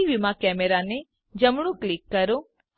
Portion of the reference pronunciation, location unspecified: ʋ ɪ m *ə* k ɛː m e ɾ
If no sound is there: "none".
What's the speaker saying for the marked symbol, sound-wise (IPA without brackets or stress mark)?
a